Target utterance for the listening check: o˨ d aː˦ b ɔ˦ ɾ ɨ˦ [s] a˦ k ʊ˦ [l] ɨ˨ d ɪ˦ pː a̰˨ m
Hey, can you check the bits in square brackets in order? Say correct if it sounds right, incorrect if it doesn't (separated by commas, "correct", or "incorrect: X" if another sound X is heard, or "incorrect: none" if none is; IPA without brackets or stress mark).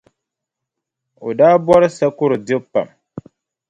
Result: correct, incorrect: ɾ